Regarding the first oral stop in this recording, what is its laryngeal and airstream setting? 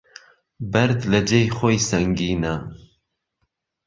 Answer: plain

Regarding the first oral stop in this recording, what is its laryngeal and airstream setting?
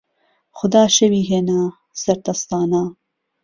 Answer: plain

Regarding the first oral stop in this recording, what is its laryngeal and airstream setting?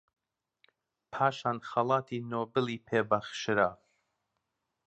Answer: aspirated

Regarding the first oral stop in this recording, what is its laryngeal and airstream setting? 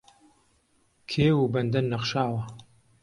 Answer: aspirated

